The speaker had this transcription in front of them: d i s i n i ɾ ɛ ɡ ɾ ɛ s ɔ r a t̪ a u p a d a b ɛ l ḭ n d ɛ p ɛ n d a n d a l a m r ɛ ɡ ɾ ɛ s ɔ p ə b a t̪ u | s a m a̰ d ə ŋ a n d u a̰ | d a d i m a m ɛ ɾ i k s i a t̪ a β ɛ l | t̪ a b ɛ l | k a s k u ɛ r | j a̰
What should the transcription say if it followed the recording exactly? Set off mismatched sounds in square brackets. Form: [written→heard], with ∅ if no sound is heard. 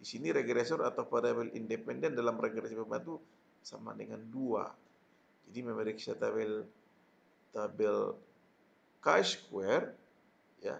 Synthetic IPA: d i s i n i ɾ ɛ ɡ ɾ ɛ s ɔ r a t̪ a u p a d a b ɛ l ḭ n d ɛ p ɛ n d [a→ɛ] n d a l a m r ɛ ɡ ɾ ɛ s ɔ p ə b a t̪ u | s a m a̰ d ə ŋ a n d u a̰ | [d→d͡ʒ] a d i m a m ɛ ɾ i k s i a t̪ a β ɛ l | t̪ a b ɛ l | k a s k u ɛ r | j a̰